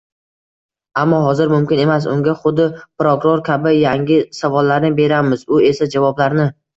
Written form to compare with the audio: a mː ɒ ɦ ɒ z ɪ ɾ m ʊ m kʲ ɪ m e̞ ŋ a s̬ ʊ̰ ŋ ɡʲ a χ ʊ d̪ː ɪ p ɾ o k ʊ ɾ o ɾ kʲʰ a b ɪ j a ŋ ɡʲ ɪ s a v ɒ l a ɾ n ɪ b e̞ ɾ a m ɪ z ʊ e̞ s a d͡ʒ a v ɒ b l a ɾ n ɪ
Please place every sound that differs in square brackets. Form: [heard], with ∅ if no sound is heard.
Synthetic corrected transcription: a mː ɒ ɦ ɒ z ɪ ɾ m ʊ m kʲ ɪ [n] e̞ [m] a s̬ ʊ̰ ŋ ɡʲ a χ ʊ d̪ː ɪ p ɾ o k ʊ ɾ o ɾ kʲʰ a b ɪ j a ŋ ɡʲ ɪ s a v ɒ [lː] a ɾ n ɪ b e̞ ɾ a m ɪ z ʊ e̞ s a d͡ʒ a v ɒ b l a ɾ n ɪ